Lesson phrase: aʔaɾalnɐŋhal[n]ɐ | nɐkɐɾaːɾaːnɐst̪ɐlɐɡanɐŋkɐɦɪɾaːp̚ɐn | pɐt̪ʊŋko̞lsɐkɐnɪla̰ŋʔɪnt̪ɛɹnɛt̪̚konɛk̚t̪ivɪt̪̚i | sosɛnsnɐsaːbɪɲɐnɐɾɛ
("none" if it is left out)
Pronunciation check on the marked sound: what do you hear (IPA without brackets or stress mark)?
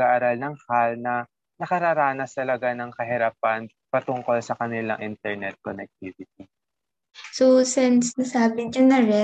n